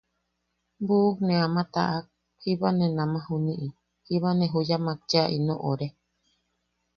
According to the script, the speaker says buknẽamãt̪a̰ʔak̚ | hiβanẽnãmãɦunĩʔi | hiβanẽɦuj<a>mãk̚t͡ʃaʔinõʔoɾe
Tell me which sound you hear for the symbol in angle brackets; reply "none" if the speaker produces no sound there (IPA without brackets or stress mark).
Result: a